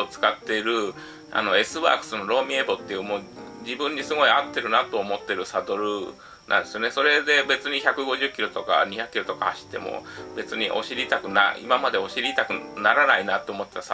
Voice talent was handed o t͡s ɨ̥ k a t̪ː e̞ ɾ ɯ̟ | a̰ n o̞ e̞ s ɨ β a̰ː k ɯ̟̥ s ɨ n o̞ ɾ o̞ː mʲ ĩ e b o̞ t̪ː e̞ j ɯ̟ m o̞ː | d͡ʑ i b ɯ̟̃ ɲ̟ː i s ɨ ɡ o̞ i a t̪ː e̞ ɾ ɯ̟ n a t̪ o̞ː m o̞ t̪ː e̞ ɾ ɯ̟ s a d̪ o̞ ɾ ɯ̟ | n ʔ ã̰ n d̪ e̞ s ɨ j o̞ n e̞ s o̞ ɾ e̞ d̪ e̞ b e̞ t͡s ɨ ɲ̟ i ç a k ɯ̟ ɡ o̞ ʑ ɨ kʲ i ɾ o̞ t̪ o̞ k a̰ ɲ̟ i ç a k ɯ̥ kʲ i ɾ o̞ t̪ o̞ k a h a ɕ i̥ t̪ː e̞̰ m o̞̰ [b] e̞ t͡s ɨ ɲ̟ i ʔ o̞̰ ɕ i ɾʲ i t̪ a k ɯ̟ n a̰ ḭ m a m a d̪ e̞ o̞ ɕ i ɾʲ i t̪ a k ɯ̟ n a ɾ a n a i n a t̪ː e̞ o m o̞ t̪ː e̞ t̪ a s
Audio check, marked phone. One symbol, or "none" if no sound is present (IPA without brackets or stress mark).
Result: b